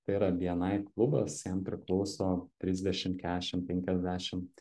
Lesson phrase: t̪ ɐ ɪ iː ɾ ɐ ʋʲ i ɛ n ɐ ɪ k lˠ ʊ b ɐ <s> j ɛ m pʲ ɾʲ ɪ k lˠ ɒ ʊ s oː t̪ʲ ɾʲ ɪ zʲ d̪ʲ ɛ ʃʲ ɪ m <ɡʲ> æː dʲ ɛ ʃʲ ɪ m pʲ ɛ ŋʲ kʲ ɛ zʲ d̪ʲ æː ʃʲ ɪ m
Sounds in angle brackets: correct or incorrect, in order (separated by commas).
correct, incorrect